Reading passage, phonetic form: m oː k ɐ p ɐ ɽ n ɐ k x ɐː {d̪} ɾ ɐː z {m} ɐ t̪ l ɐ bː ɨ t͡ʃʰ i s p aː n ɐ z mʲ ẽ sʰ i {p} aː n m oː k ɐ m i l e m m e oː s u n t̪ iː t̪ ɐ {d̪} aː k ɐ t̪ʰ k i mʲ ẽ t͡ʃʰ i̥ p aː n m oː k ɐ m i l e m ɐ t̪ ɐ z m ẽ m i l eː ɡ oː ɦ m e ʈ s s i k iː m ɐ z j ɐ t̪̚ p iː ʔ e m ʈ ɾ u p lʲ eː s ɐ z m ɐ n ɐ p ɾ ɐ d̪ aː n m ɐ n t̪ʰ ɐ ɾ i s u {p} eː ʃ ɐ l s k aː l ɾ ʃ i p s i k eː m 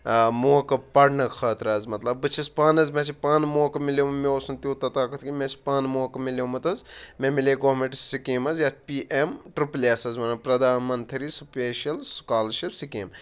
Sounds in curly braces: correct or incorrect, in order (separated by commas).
incorrect, correct, correct, incorrect, correct